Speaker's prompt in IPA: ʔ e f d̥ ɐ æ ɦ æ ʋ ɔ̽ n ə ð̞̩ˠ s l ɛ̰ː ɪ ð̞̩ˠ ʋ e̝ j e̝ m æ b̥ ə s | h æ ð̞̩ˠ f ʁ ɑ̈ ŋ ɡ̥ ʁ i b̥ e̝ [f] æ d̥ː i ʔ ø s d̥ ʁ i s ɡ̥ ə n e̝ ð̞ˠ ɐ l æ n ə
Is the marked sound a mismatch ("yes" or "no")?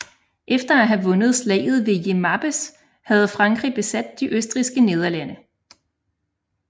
yes